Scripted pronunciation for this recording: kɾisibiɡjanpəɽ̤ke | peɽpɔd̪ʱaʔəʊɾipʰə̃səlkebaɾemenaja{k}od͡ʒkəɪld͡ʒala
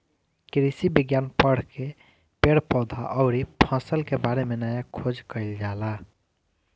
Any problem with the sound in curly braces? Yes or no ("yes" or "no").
yes